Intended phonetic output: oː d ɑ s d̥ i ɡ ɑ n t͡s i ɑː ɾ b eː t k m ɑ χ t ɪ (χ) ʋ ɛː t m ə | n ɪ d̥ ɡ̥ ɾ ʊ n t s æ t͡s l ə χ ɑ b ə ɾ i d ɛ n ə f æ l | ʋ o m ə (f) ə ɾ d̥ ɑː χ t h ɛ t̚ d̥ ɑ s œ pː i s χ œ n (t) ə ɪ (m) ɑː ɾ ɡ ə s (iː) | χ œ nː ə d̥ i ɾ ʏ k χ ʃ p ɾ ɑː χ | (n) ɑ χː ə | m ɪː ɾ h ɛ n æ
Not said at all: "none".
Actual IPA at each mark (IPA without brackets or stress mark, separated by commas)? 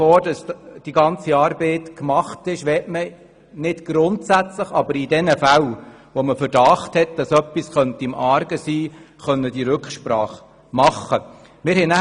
ʃ, f, t, m, iː, m